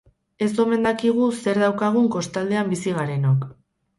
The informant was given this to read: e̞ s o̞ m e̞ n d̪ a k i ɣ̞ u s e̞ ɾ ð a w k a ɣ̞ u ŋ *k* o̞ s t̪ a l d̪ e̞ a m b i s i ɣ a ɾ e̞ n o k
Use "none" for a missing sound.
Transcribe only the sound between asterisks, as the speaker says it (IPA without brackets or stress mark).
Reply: k